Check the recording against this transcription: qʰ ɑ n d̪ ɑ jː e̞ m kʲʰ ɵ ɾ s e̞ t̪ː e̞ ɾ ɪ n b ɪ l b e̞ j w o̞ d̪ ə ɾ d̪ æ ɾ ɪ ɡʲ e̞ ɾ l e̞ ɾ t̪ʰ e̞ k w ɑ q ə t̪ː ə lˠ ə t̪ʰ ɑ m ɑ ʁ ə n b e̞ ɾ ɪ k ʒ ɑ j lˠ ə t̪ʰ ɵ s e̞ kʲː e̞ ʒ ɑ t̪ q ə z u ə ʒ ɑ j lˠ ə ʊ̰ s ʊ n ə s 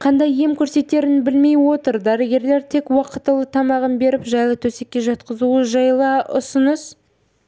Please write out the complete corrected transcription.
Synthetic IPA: qʰ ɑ n d̪ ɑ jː e̞ m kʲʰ ɵ ɾ s e̞ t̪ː e̞ ɾ ɪ n b ɪ l m e̞ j w o̞ t̪ ə ɾ d̪ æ ɾ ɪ ɡʲ e̞ ɾ l e̞ ɾ t̪ʰ e̞ k w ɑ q ə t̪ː ə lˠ ə t̪ʰ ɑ m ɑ ʁ ə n b e̞ ɾ ɪ p ʒ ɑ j lˠ ə t̪ʰ ɵ s e̞ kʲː e̞ ʒ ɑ t̪ q ə z u ə ʒ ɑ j lˠ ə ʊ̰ s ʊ n ə s